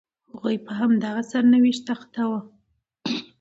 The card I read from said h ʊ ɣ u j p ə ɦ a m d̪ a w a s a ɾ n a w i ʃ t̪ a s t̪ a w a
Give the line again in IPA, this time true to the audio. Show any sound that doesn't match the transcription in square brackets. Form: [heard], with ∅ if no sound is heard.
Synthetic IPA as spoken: h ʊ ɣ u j p ə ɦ a m d̪ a [ɣ] a s a ɾ n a w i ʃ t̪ a [x] t̪ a w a

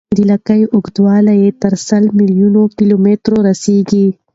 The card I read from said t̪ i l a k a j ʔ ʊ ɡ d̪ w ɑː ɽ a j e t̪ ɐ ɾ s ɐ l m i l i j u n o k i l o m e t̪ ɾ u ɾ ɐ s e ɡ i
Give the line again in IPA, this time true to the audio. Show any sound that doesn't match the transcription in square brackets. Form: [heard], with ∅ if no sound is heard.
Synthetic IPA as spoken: [d̪] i l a k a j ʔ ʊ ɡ d̪ w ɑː [l] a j e t̪ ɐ ɾ s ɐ l m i l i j u n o k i l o m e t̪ ɾ [o] ɾ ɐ s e ɡ i

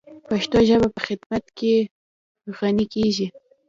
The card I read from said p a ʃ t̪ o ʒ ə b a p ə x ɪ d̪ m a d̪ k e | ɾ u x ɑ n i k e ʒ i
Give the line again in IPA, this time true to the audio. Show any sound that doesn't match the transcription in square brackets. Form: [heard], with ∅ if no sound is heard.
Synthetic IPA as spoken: p a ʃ t̪ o ʒ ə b a p ə x ɪ d̪ m a [t̪] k e | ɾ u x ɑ n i k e ʒ i

